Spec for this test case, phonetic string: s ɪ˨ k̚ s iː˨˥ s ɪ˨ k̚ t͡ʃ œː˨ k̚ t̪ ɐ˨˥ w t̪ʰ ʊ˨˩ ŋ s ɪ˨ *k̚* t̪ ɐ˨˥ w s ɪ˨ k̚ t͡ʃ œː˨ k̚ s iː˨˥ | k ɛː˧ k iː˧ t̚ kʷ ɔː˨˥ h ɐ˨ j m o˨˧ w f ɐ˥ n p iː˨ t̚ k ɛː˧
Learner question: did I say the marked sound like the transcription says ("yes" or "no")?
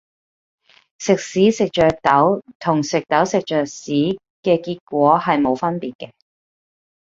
yes